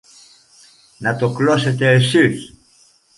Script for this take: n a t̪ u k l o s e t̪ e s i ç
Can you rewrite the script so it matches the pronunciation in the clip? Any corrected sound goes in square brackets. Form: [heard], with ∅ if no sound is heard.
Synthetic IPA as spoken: n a t̪ [o] k l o s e t̪ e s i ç